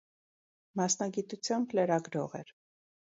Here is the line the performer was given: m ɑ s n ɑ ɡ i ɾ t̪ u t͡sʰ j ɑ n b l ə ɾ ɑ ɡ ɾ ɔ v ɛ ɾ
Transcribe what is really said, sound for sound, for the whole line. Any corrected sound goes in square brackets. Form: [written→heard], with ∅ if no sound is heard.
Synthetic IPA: m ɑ s n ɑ ɡ i [ɾ→∅] t̪ u t͡sʰ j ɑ [n→m] b l ə ɾ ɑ ɡ ɾ ɔ [v→ʁ] ɛ ɾ

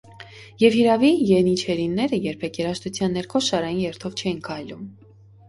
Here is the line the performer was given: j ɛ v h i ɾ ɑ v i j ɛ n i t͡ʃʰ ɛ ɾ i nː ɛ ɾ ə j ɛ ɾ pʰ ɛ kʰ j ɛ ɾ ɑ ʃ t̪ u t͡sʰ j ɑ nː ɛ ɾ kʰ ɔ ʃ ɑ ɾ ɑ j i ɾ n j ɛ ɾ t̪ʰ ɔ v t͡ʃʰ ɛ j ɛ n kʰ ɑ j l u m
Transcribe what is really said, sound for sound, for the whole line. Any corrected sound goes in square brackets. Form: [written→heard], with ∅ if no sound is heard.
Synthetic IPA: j ɛ v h i ɾ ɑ v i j ɛ n i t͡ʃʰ ɛ ɾ i nː ɛ ɾ ə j ɛ ɾ pʰ ɛ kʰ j ɛ ɾ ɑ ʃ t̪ u t͡sʰ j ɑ nː ɛ ɾ kʰ ɔ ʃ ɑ ɾ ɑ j i [ɾ→∅] n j ɛ ɾ t̪ʰ ɔ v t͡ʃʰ ɛ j [ɛ→i] n kʰ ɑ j l u m

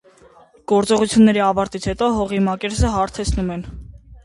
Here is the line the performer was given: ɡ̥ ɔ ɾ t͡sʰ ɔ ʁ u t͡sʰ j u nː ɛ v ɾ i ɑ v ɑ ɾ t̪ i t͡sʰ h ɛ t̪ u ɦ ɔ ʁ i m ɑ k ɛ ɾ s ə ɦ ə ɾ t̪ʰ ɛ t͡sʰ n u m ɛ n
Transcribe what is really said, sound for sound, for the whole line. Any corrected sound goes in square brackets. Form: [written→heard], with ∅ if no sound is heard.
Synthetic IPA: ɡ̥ ɔ ɾ [t͡sʰ→t͡s] ɔ ʁ u t͡sʰ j u nː ɛ [v→∅] ɾ i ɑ v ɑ ɾ t̪ i t͡sʰ h ɛ t̪ [u→ɔ] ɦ ɔ ʁ i m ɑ k ɛ ɾ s ə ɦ [ə→ɑ] ɾ t̪ʰ ɛ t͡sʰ n u m ɛ n

